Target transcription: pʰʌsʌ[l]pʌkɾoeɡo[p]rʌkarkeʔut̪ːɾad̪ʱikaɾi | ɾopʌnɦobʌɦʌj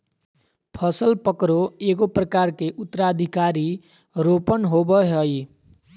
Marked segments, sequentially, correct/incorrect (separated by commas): correct, correct